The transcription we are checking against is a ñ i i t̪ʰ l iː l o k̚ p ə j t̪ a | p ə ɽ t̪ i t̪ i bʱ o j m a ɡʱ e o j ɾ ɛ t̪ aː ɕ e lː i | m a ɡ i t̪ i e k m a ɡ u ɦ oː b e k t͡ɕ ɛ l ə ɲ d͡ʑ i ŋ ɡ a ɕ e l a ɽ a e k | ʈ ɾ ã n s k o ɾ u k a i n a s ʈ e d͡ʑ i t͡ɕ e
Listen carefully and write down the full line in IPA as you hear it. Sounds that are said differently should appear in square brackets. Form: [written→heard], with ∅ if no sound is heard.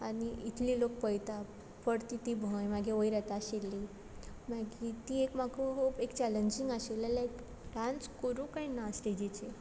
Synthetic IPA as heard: a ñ i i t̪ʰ l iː l o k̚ p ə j t̪ a | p ə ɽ t̪ i t̪ i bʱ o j m a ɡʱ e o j ɾ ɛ t̪ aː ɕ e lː i | m a ɡ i t̪ i e k m a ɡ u ɦ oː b e k t͡ɕ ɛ l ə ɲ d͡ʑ i ŋ ɡ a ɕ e l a [ɽ→l] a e k | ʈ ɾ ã n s k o ɾ u k a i n a s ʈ e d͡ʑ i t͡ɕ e